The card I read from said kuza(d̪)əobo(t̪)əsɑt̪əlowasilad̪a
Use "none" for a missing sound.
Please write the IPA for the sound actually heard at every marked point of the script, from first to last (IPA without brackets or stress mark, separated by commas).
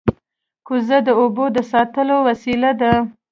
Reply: d̪, d̪